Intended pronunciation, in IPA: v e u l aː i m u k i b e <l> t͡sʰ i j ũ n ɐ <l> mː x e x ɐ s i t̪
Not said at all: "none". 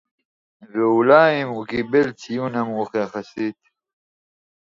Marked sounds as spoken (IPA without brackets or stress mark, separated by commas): l, none